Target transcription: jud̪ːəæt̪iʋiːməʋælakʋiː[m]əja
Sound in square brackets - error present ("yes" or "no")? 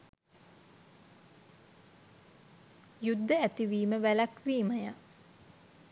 no